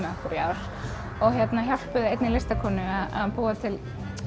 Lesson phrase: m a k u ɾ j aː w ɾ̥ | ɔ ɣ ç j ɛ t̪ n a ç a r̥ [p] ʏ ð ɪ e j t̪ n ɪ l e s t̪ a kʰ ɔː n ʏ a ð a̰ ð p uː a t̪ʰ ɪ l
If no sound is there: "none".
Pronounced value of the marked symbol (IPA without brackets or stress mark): p